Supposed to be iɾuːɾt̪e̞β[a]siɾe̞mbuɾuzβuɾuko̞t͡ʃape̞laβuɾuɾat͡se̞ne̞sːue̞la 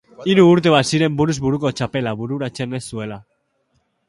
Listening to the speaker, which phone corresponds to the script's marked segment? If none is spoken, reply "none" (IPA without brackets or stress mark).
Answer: a